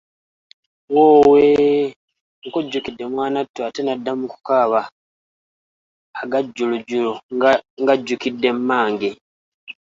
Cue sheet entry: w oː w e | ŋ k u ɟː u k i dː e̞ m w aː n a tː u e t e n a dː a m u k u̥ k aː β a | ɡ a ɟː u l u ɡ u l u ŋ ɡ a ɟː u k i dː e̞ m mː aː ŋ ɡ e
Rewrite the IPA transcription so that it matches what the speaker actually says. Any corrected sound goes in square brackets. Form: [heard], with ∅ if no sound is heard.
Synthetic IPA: w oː w e | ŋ k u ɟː u k i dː e̞ m w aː n a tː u [a] t e n a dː a m u k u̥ k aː β a | ɡ a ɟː u l u [ɟ] u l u ŋ ɡ a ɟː u k i dː e̞ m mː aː ŋ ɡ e